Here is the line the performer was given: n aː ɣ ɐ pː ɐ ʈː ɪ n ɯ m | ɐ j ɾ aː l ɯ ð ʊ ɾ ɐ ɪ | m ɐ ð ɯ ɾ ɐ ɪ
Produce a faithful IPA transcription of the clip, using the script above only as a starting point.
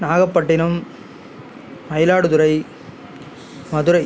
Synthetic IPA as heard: n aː ɣ ɐ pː ɐ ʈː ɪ n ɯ m | ɐ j l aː ɽ ɯ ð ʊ ɾ ɐ ɪ | m ɐ ð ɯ ɾ ɐ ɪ